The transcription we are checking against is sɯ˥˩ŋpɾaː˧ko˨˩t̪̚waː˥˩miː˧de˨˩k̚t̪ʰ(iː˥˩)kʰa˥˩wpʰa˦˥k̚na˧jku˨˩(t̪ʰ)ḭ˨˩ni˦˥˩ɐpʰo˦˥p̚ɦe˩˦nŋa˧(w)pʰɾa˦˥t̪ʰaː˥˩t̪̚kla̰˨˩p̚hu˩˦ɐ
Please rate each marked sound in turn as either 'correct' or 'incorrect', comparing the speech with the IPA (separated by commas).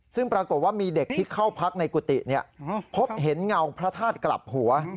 correct, incorrect, correct